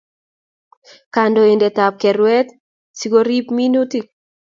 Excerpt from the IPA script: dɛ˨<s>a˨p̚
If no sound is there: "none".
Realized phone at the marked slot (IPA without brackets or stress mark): t